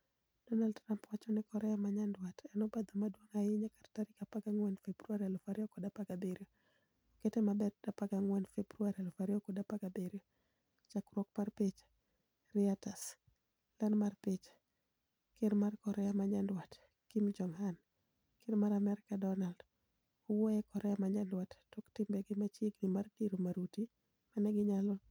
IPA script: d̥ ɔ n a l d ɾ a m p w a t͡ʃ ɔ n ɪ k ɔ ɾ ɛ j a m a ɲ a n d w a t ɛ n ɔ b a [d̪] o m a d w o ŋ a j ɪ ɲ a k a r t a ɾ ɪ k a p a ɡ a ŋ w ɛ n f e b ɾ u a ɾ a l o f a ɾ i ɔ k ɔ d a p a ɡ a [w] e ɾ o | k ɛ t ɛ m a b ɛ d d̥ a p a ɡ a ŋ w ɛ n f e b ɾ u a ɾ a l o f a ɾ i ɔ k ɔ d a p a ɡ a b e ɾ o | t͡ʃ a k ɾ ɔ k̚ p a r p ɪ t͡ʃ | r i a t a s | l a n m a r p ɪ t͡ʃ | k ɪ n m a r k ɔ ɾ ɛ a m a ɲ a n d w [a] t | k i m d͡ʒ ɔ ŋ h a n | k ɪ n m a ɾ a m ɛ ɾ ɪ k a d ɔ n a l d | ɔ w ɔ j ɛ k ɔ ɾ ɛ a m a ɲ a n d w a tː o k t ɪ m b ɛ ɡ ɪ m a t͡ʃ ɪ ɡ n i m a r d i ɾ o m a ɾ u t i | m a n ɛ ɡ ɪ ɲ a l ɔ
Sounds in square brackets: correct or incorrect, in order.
correct, incorrect: b, correct

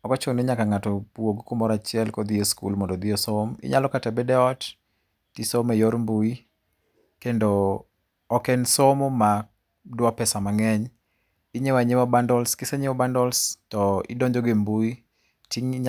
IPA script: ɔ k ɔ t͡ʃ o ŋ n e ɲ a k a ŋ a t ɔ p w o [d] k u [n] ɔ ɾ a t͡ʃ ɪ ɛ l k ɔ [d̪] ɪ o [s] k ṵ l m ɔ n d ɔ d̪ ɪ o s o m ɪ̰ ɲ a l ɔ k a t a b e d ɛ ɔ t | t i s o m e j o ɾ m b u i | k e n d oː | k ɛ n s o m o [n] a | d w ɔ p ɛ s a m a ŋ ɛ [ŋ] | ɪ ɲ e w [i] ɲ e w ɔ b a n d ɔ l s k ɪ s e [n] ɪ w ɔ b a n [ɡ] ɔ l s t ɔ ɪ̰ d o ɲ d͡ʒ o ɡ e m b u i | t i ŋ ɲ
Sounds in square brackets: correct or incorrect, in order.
incorrect: ɡ, incorrect: m, correct, correct, incorrect: m, incorrect: ɲ, incorrect: a, incorrect: ɲ, incorrect: d

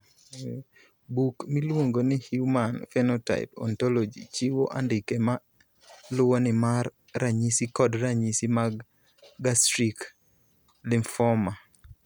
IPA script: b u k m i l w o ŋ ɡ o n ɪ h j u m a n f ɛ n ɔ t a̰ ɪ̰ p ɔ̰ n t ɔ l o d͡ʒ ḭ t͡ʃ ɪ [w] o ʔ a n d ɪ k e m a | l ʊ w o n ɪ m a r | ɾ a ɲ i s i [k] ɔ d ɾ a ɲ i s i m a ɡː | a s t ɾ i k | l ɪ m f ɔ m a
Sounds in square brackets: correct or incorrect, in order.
correct, correct

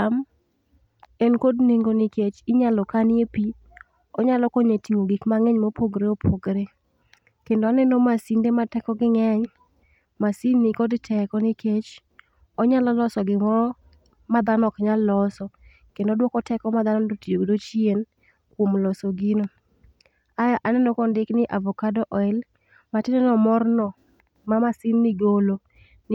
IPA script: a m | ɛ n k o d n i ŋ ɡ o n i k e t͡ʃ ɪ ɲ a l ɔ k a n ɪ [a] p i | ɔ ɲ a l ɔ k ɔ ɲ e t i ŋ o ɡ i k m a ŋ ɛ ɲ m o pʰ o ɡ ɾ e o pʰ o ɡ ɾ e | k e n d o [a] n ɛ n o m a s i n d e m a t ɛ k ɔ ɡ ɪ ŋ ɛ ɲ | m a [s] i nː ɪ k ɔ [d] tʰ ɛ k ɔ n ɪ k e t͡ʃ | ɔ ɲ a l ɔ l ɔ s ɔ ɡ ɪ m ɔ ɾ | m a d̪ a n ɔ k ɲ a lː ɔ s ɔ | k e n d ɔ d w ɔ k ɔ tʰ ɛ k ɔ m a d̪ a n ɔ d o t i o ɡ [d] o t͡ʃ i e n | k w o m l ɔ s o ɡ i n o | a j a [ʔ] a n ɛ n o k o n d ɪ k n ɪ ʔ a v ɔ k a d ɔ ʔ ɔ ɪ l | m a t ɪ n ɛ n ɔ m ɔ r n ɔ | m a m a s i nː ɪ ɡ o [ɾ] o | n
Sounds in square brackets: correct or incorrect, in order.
incorrect: e, correct, correct, correct, correct, correct, incorrect: l

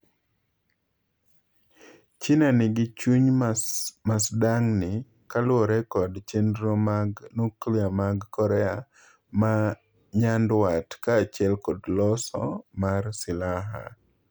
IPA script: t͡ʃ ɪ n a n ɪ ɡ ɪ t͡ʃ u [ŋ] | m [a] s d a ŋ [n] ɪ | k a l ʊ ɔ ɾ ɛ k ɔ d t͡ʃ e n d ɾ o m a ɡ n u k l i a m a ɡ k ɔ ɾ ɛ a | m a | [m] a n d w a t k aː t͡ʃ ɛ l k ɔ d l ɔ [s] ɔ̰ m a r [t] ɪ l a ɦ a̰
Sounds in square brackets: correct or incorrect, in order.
incorrect: ɲ, correct, correct, incorrect: ɲ, correct, incorrect: s

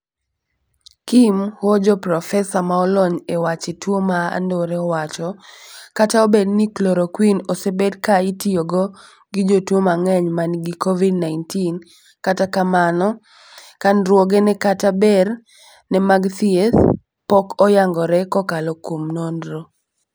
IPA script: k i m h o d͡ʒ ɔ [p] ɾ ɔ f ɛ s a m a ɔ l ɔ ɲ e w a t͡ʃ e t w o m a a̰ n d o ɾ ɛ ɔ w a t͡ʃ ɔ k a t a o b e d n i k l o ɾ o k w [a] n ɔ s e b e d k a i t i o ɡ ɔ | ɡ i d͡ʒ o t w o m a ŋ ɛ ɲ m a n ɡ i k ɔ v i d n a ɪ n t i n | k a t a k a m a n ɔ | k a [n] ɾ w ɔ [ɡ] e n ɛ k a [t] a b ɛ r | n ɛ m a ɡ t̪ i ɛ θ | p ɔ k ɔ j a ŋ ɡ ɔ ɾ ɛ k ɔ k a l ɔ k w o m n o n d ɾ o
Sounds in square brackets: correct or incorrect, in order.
correct, incorrect: i, correct, correct, correct

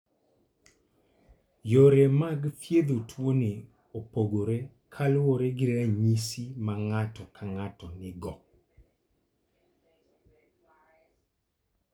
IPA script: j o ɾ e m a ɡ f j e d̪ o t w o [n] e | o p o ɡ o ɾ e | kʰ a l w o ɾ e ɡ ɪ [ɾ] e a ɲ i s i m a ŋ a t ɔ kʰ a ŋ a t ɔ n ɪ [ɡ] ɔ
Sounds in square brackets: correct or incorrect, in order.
correct, correct, correct

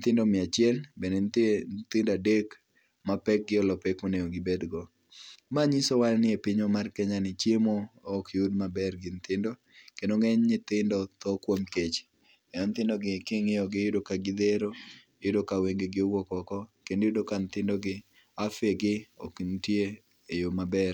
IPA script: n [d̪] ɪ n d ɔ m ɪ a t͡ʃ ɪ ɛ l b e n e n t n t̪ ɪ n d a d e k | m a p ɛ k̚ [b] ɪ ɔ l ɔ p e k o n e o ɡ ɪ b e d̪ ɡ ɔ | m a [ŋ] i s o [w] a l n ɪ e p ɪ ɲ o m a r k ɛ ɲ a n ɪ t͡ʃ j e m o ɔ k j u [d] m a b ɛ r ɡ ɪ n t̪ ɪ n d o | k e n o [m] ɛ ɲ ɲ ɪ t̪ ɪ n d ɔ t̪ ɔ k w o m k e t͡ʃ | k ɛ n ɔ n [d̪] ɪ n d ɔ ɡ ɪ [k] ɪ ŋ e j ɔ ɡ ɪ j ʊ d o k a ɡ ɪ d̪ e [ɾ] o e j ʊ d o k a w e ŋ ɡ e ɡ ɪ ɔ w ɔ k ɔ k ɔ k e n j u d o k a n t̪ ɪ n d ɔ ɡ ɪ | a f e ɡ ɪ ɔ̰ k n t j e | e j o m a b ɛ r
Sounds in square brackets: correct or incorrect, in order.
incorrect: t̪, incorrect: ɡ, incorrect: ɲ, correct, correct, incorrect: ŋ, incorrect: t̪, correct, correct

